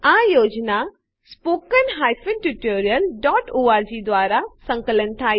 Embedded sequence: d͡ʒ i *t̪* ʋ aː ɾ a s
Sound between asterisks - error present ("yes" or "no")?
yes